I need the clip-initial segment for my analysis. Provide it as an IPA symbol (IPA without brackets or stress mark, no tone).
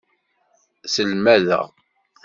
s